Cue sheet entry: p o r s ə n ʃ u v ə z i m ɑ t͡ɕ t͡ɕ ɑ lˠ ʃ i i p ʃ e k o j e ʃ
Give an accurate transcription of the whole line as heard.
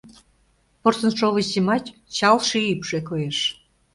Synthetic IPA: p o r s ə n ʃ o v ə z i m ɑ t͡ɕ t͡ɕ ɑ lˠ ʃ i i p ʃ e k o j e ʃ